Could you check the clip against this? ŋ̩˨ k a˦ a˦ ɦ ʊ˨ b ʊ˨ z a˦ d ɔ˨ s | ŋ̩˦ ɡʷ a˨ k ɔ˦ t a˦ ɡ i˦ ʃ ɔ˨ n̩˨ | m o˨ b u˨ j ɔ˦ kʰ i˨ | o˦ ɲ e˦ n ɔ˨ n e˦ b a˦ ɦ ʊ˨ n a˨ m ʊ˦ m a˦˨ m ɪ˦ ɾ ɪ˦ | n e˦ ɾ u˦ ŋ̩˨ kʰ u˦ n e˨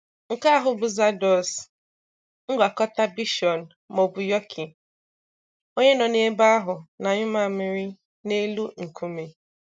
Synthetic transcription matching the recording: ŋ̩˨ k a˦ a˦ ɦ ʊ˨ b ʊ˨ z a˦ d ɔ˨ s | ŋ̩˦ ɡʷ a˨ k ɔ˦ t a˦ b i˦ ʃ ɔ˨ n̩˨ | m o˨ b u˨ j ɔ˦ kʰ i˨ | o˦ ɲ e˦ n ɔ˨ n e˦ b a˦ ɦ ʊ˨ n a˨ ɲ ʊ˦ m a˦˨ m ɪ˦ ɾ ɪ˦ | n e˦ l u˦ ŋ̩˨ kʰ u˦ m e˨